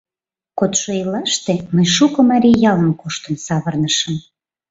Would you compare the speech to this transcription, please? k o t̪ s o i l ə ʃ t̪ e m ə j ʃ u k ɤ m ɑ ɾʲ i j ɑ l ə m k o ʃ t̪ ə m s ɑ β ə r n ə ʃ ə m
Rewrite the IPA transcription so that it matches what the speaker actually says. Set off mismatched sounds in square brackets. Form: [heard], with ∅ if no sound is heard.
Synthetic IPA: k o t̪ [ʃ] o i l [ɑ] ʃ t̪ e m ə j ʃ u k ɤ m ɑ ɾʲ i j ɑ l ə m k o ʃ t̪ ə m s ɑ β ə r n ə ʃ ə m